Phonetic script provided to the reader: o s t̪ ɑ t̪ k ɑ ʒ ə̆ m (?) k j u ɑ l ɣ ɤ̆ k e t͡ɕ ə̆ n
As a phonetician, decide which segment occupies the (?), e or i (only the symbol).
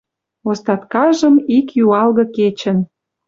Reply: i